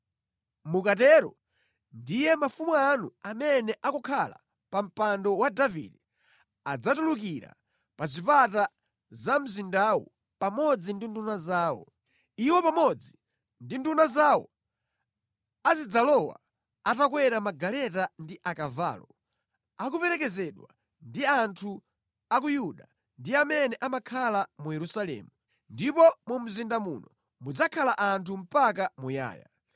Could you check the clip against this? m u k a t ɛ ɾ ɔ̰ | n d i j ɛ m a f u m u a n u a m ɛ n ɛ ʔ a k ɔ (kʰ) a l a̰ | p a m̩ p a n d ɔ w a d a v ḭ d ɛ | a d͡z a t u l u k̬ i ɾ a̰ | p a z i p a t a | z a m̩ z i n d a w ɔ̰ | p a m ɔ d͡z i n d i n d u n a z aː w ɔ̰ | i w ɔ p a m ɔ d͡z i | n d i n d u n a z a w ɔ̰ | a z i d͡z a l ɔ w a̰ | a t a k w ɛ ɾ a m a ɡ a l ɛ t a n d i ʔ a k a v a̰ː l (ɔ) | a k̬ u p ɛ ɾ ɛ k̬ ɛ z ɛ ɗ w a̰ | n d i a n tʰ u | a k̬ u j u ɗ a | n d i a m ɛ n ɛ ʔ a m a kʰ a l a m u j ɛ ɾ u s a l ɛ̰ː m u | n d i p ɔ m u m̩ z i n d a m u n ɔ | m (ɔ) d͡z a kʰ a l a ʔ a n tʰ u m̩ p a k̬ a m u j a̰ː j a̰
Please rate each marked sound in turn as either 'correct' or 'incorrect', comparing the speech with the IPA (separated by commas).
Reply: correct, correct, incorrect